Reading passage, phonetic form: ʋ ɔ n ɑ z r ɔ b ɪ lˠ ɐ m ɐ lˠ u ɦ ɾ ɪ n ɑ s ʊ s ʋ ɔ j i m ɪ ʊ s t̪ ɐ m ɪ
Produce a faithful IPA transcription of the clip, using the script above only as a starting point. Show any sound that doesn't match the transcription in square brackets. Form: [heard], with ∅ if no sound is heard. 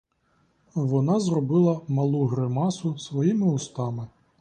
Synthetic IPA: ʋ ɔ n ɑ z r ɔ b ɪ lˠ ɐ m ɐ lˠ u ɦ ɾ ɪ [m] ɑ s ʊ s ʋ ɔ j i m ɪ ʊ s t̪ [ɑ] m ɪ